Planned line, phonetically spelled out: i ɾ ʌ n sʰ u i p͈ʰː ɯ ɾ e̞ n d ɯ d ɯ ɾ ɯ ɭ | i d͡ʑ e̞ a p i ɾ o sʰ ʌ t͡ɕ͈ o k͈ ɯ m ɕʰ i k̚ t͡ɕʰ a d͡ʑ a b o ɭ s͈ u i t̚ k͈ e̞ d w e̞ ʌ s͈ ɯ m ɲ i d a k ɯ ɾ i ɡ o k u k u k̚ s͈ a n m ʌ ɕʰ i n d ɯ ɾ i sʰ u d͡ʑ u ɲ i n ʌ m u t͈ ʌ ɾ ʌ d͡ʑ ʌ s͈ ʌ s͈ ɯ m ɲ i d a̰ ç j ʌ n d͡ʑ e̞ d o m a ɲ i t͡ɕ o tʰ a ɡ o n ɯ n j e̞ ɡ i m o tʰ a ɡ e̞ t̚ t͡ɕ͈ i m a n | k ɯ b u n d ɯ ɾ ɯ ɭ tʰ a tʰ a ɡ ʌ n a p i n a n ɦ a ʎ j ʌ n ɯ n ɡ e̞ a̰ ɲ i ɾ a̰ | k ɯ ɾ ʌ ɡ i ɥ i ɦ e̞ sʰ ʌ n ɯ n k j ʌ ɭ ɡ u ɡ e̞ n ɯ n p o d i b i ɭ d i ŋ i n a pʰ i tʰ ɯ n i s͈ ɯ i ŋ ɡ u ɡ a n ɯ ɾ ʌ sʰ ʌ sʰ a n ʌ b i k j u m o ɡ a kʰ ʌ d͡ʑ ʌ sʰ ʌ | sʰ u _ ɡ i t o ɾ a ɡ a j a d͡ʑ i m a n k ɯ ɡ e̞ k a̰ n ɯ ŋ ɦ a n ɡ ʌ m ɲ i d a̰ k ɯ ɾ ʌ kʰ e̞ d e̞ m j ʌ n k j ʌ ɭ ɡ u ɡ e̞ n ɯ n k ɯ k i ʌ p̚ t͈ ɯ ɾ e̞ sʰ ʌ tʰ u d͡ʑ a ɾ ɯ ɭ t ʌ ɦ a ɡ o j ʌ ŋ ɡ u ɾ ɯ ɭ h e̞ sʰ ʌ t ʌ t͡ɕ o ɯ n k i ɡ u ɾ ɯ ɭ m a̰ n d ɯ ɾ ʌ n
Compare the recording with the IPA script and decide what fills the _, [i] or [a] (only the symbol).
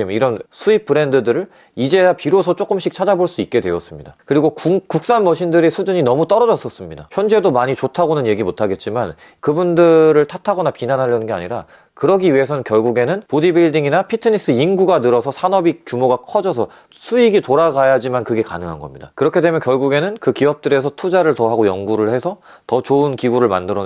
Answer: i